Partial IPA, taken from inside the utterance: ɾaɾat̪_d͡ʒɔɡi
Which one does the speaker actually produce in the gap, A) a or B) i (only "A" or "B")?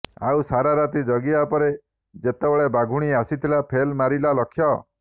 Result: B